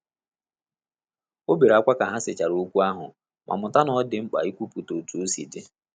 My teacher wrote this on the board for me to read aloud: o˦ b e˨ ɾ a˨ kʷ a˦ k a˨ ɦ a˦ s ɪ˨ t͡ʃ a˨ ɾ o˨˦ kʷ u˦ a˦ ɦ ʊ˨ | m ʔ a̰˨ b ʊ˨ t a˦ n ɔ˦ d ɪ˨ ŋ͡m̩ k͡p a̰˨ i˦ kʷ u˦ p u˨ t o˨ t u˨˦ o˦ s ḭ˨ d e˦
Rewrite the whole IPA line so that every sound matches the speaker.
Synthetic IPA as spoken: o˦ b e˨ ɾ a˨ kʷ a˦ k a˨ ɦ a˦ s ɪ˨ t͡ʃ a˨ ɾ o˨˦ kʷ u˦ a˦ ɦ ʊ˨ | m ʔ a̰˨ m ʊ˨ t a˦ n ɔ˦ d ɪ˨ ŋ͡m̩ k͡p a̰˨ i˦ kʷ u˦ p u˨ t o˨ t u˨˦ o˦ s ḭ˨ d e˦